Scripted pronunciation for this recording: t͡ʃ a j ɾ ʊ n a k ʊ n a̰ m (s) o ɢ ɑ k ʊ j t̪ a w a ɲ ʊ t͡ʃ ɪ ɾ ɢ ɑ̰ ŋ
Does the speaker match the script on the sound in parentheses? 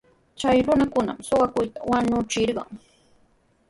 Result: yes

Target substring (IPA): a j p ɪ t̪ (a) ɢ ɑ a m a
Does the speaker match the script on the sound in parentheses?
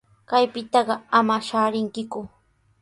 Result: no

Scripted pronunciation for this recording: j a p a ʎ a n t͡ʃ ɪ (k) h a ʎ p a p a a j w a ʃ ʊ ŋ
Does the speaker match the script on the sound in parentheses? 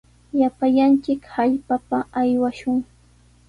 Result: yes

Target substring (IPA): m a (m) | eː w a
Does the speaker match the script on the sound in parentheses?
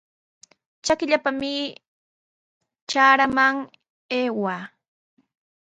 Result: no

